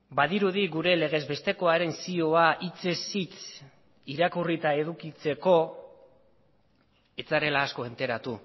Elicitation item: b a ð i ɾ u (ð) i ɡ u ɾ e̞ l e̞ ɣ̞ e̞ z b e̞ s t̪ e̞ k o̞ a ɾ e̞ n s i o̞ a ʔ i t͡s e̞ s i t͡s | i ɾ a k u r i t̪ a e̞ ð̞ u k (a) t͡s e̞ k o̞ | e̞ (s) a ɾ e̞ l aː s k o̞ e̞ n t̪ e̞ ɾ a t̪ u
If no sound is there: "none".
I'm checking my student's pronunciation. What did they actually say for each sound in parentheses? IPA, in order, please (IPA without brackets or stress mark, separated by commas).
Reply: ð, i, t͡s